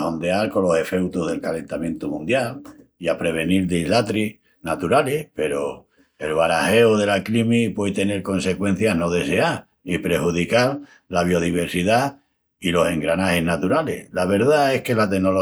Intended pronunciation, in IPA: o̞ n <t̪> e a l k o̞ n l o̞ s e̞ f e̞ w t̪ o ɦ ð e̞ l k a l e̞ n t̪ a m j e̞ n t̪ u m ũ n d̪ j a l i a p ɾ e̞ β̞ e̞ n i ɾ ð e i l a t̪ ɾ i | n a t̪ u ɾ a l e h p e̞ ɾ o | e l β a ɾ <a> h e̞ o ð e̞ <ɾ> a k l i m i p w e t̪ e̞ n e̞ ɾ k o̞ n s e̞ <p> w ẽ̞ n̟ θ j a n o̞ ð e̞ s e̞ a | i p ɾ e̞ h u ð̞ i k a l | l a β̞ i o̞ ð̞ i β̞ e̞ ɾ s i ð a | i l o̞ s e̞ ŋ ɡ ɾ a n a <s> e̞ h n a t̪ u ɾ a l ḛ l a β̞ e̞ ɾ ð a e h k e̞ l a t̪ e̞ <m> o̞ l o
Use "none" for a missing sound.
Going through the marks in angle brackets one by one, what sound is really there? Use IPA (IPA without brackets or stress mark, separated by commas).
d̪, a, l, k, h, n